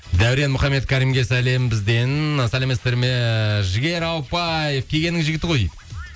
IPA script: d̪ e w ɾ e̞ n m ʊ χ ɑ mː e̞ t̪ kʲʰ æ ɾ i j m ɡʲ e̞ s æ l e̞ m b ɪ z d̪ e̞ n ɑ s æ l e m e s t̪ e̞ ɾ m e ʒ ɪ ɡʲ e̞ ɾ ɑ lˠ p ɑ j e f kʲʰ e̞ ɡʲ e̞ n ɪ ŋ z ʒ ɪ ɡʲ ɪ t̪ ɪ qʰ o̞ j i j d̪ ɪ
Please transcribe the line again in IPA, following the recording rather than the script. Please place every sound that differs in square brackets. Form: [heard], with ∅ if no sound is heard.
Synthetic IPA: d̪ [æ] w ɾ e̞ n m ʊ χ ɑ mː e̞ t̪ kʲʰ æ ɾ i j m ɡʲ e̞ s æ l e̞ m b ɪ z d̪ e̞ n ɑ s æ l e m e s t̪ e̞ ɾ m e ʒ ɪ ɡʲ e̞ ɾ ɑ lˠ p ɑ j e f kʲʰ e̞ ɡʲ e̞ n ɪ ŋ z ʒ ɪ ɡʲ ɪ t̪ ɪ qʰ o̞ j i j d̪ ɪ